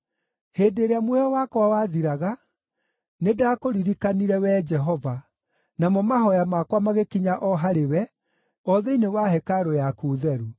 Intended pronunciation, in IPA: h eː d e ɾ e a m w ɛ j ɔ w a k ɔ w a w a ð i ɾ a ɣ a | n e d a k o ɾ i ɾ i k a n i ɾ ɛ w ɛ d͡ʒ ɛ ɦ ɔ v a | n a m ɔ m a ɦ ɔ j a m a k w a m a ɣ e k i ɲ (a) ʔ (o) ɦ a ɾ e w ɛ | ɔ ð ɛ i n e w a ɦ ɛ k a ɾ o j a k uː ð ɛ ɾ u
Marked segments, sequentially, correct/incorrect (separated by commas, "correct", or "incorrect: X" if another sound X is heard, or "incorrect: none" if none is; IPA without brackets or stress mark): correct, incorrect: ɔ